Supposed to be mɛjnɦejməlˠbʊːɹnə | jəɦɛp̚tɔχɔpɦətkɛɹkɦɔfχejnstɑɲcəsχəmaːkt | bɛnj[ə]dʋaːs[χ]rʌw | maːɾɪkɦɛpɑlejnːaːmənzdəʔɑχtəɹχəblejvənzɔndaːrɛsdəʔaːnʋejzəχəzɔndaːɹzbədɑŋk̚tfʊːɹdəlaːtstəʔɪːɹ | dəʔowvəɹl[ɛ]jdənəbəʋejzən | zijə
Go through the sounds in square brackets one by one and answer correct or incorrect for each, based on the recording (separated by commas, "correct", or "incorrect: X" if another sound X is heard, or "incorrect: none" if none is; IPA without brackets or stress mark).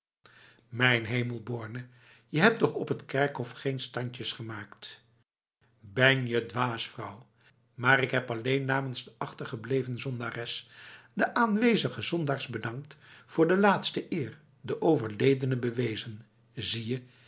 correct, incorrect: f, incorrect: e